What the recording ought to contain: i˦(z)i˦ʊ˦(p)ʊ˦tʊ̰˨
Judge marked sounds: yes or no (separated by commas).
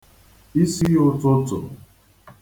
no, no